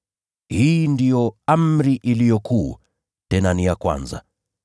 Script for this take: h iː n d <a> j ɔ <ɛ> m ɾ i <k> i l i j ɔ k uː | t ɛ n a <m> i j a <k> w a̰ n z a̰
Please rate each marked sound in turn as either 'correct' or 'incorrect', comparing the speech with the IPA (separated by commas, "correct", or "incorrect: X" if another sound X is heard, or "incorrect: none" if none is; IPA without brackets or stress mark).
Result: incorrect: i, incorrect: a, incorrect: ʔ, incorrect: n, correct